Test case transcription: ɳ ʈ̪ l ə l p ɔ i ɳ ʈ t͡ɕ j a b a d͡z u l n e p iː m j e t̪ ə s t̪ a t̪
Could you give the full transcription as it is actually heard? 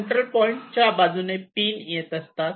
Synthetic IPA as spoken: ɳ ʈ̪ ɾ ə l p ɔ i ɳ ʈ t͡ɕ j a b a d͡z u n e p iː n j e t̪ ə s t̪ a t̪

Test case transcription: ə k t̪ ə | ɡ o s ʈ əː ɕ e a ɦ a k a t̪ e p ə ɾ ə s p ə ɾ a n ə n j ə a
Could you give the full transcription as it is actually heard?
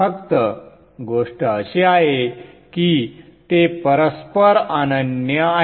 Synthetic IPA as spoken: ə k t̪ ə | ɡ o ʂ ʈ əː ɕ e a ɦ e k i t̪ e p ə ɾ ə s p ə ɾ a n ə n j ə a

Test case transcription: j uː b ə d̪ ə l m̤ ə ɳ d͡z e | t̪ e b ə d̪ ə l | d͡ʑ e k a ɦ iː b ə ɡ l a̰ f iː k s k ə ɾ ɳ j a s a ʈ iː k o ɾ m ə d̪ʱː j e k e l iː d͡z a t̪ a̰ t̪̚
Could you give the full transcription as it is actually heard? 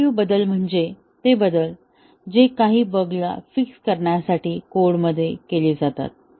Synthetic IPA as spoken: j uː b ə d̪ ə l m̤ ə ɳ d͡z e | t̪ e b ə d̪ ə l | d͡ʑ e k a ɦ iː b ə ɡ l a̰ f i k s k ə ɾ ɳ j a s a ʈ iː k o ɽ m ə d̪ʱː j e k e l iː d͡z a t̪ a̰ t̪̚

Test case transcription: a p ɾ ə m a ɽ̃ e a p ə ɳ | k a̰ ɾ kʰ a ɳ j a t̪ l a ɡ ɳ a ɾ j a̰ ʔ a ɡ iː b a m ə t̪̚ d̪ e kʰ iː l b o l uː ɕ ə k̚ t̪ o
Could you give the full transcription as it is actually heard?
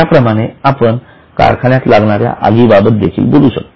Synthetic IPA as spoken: a p ɾ ə m a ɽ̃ e a p ə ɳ | k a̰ ɾ kʰ a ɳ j a t̪ l a ɡ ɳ a ɾ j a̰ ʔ a ɡ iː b a b ə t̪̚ d̪ e kʰ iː l b o l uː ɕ ə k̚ t̪ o

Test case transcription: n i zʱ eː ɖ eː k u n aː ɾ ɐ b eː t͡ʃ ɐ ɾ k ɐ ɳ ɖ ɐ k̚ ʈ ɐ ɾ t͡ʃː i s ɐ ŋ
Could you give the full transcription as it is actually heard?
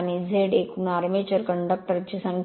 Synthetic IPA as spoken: n i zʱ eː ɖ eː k u n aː ɾ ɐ m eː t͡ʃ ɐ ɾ k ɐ ɳ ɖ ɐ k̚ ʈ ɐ ɾ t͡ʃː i s ɐ ŋ

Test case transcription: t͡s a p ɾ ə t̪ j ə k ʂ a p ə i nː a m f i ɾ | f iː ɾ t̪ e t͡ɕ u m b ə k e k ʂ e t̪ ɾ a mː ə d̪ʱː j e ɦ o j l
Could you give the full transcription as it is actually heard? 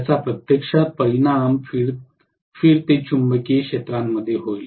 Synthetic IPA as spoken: t͡s a p ɾ ə t̪ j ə k ʂ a p ə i n a m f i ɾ | f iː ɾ t̪ e t͡ɕ u m b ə k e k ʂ e t̪ ɾ a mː ə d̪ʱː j e ɦ o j l

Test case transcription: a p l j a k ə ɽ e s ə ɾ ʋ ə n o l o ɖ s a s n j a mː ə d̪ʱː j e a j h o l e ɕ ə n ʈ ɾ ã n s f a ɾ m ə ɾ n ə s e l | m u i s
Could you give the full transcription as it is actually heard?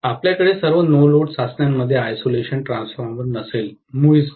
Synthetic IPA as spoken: a p l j a k ə ɽ e s ə ɾ ʋ ə n o l o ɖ s a s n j a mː ə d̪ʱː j e a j s o l e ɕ ə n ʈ ɾ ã n s f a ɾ m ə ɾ n ə s e l | m u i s

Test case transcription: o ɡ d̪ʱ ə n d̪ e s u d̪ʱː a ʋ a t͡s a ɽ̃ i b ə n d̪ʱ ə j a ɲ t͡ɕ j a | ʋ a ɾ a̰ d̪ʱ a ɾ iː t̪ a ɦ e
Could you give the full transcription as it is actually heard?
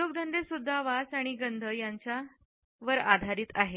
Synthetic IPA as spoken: o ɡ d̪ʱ ə n d̪ e s u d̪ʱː a ʋ a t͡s a ɽ̃ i ɡ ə n d̪ʱ ə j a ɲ t͡ɕ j a | ʋ ə ɾ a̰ d̪ʱ a ɾ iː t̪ a ɦ e

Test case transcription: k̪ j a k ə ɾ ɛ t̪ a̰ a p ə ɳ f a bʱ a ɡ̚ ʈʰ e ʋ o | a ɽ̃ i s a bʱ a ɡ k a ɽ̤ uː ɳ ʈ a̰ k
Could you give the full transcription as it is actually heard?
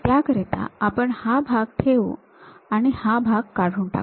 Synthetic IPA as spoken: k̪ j a k ə ɾ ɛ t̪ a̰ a p ə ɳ h a bʱ a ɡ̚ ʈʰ e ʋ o | a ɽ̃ i h a bʱ a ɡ k a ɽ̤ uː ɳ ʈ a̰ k

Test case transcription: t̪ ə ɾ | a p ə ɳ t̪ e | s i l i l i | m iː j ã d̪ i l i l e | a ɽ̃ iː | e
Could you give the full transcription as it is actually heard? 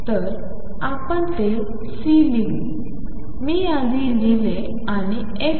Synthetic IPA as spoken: t̪ ə ɾ | a p ə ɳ t̪ e | s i l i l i | m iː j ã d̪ i l i l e | a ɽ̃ i | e

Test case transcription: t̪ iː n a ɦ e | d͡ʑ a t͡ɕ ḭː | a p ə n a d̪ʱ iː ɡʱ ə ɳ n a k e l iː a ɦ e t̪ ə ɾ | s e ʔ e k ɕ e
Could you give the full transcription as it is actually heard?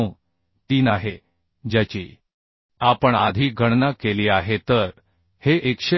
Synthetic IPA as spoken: t̪ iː n a ɦ e | d͡ʑ a t͡ɕ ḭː | a p ə ɳ a d̪ʱ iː ɡʱ ə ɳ n a k e l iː a ɦ e t̪ ə ɾ | h e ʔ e k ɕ e

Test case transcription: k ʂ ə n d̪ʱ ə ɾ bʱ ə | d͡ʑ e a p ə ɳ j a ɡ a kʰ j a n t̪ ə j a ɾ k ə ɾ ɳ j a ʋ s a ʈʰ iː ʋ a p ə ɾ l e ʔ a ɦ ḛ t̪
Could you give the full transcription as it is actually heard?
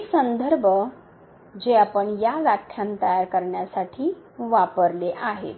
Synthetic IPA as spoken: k s ə n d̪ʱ ə ɾ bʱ ə | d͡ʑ e a p ə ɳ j a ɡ a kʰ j a n t̪ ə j a ɾ k ə ɾ ɳ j a s a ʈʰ iː ʋ a p ə ɾ l e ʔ a ɦ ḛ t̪

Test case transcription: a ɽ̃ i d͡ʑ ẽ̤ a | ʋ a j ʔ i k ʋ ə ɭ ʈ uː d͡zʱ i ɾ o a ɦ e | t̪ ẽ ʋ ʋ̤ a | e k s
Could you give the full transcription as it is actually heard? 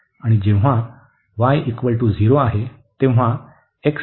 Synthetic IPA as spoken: a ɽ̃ i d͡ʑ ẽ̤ a | ʋ a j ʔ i k ʋ ə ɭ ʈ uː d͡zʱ i ɾ o a ɦ e | t̪ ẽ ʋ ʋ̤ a | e k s

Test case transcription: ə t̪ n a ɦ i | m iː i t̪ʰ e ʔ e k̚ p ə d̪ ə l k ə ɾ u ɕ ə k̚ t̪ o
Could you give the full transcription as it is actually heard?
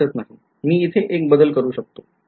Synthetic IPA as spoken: ə t̪ n a ɦ i | m iː i t̪ʰ e ʔ e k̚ b ə d̪ ə l k ə ɾ uː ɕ ə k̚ t̪ o

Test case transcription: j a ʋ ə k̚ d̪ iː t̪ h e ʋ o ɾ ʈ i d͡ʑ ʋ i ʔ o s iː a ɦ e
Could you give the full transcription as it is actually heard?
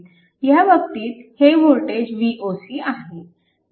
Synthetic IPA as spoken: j a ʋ ə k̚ t̪ iː t̪ h e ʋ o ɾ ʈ e d͡ʑ ʋ i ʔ o s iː a ɦ e

